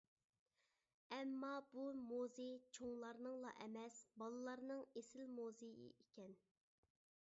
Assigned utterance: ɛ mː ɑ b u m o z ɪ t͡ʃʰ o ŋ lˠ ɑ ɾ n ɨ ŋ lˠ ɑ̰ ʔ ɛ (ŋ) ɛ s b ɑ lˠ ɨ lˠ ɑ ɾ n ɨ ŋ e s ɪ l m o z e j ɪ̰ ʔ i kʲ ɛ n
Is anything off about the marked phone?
yes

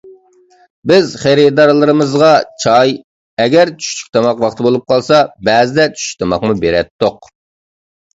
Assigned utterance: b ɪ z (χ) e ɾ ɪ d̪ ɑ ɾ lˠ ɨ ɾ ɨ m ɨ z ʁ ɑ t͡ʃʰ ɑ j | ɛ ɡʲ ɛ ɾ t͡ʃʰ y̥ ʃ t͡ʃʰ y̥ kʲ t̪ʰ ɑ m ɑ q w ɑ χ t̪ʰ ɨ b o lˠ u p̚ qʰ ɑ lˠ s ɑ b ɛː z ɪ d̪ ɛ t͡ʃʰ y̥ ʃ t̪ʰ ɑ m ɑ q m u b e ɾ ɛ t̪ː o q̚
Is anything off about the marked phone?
no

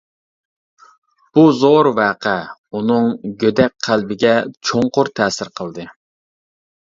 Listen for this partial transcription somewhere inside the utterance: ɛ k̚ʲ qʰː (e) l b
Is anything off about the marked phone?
yes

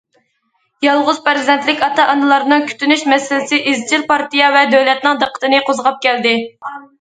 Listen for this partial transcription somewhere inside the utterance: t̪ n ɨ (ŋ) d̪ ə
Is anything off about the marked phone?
no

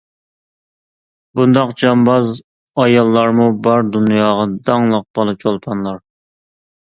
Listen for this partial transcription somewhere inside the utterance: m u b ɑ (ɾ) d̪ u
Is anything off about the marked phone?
no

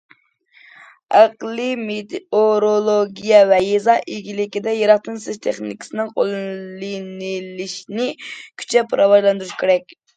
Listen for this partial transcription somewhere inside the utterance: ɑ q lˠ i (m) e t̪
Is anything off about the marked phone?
no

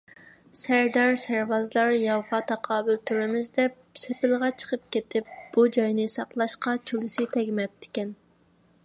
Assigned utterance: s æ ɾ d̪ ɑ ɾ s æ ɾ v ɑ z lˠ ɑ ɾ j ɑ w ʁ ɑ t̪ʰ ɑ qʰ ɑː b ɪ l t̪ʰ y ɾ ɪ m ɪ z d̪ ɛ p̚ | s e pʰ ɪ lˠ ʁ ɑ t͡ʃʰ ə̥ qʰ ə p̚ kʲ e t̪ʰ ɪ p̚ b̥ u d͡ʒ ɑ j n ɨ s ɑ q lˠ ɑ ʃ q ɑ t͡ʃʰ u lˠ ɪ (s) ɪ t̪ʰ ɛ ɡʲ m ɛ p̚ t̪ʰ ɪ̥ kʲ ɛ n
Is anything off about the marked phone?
no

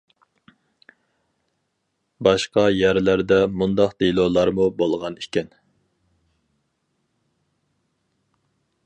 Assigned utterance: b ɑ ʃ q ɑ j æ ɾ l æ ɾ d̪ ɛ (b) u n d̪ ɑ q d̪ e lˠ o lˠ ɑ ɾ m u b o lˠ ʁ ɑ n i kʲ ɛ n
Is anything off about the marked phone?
yes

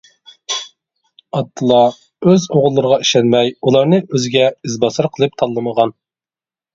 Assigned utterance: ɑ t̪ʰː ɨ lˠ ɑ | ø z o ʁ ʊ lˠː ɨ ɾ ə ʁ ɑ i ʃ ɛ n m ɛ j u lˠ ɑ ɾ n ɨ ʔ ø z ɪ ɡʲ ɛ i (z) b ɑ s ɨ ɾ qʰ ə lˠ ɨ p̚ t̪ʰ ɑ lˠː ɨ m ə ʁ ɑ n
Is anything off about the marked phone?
no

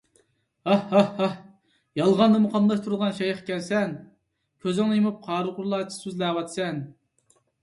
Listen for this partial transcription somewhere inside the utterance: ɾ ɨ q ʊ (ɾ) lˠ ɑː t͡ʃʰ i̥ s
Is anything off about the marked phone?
no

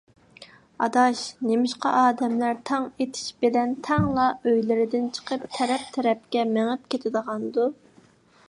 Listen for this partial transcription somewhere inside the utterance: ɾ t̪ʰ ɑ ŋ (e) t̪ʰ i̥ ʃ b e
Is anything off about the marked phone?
no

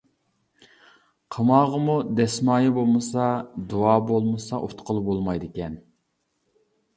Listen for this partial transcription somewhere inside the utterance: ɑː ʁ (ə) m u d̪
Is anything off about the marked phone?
no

